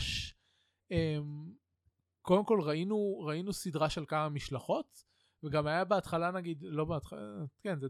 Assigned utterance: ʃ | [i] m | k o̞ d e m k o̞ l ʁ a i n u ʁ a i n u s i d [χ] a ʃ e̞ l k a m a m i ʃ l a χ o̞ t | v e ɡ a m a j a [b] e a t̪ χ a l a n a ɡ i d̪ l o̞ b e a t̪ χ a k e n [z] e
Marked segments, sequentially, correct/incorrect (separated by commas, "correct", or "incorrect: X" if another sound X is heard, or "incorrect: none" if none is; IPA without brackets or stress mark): incorrect: e, incorrect: ʁ, correct, correct